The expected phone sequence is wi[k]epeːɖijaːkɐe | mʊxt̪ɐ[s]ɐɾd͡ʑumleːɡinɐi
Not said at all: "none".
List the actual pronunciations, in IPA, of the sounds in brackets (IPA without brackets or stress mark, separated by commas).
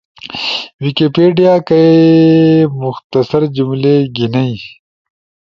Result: k, s